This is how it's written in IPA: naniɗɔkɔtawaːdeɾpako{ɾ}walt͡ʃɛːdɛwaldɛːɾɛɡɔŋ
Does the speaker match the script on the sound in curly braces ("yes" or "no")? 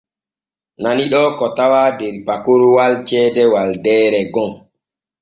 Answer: yes